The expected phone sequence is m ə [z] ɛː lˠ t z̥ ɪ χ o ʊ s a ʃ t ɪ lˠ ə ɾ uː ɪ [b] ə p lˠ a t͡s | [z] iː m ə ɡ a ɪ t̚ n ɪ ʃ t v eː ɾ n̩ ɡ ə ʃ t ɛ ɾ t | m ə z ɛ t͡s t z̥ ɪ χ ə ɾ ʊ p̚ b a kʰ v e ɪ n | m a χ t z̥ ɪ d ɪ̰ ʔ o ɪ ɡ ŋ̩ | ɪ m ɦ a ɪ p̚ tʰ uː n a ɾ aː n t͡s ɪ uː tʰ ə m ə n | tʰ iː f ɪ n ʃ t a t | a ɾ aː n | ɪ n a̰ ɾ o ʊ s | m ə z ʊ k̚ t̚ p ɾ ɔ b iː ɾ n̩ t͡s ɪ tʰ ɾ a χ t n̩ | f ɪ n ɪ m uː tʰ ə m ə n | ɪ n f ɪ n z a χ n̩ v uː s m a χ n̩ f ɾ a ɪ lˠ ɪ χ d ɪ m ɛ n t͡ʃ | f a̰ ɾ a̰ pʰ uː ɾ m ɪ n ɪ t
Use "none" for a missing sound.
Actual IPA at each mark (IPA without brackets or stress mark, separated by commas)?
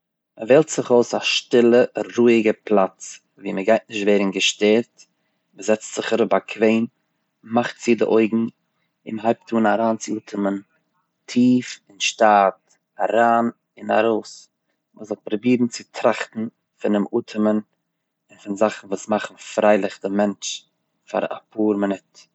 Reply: v, ɡ, v